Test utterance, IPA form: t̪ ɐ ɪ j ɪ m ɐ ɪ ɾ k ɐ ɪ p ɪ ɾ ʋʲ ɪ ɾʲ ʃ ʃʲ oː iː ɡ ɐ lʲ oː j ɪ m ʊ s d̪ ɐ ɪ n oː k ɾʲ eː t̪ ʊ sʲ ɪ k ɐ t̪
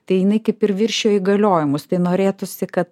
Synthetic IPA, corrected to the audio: t̪ ɐ ɪ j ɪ n ɐ ɪ k ɐ ɪ p ɪ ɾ ʋʲ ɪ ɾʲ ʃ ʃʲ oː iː ɡ ɐ lʲ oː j ɪ m ʊ s t̪ ɐ ɪ n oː ɾʲ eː t̪ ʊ sʲ ɪ k ɐ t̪